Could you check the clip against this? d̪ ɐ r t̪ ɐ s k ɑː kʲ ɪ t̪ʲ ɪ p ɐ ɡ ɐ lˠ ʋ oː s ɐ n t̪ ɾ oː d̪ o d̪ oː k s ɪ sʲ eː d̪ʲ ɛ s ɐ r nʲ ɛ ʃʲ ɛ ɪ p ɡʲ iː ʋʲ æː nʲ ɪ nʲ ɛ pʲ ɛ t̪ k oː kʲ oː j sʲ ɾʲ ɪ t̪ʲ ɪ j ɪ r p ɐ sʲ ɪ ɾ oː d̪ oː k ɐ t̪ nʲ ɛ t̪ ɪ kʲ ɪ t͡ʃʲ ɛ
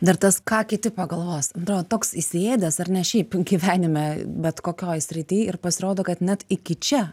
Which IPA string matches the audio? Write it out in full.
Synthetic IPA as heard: d̪ ɐ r t̪ ɐ s k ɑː kʲ ɪ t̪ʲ ɪ p ɐ ɡ ɐ lˠ ʋ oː s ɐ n t̪ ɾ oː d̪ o t̪ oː k s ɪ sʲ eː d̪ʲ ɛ s ɐ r nʲ ɛ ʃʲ ɛ ɪ p ɡʲ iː ʋʲ æː nʲ ɪ mʲ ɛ bʲ ɛ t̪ k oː kʲ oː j sʲ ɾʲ ɪ t̪ʲ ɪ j ɪ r p ɐ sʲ ɪ ɾ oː d̪ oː k ɐ t̪ nʲ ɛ t̪ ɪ kʲ ɪ t͡ʃʲ ɛ